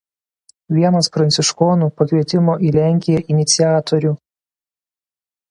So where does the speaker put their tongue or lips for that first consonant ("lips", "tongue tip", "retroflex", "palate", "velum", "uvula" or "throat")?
lips